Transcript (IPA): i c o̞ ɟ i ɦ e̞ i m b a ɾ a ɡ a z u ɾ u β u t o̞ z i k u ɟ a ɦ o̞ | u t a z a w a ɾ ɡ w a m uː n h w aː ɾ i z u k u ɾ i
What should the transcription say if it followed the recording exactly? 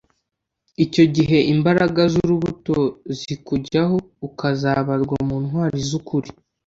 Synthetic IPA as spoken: i c o̞ ɟ i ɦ e̞ i m b a ɾ a ɡ a z u ɾ u β u t o̞ z i k u ɟ a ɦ o̞ | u k a z a β a ɾ ɡ w a m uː n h w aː ɾ i z u k u ɾ i